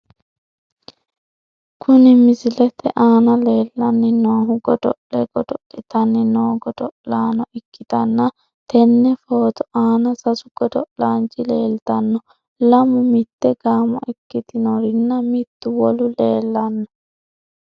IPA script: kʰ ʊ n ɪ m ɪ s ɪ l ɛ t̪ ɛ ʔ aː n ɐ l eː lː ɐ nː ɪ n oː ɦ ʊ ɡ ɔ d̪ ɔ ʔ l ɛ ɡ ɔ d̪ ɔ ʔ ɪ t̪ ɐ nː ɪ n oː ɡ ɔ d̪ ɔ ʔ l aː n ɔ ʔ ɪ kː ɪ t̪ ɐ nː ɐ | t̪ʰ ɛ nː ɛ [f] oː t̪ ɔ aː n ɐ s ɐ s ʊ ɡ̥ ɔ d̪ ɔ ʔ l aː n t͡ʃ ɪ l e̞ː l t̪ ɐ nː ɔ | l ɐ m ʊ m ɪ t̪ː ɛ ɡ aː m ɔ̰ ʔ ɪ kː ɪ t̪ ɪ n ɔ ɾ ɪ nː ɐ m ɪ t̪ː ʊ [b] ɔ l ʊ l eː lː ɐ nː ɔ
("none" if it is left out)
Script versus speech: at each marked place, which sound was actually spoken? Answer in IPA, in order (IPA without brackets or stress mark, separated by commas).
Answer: f, w